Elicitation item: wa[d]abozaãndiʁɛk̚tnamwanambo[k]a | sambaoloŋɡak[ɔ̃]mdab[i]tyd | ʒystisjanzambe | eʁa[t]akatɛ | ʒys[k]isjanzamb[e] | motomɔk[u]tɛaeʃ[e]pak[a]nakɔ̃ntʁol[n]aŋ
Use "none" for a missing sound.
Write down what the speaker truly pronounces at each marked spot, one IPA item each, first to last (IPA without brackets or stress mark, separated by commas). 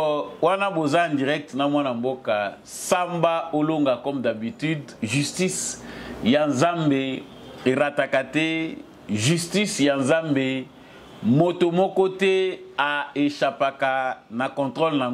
n, k, ɔ, i, t, t, e, ɔ, a, a, n